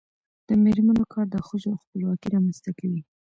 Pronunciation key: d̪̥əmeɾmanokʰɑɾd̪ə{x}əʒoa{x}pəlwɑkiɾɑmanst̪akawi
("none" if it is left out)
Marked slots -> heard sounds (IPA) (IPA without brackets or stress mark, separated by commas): x, x